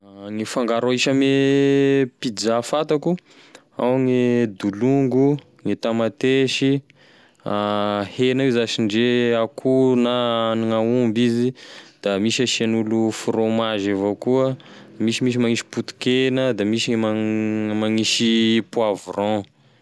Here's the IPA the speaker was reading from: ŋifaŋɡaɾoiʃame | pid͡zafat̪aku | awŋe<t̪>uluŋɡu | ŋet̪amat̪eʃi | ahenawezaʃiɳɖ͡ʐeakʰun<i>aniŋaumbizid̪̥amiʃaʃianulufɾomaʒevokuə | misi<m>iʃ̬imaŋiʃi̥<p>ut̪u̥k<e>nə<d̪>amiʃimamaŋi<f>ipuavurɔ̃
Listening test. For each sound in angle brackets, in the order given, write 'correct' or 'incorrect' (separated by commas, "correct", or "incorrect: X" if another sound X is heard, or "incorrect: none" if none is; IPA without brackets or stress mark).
incorrect: d̪, incorrect: a, correct, correct, correct, correct, incorrect: ʃ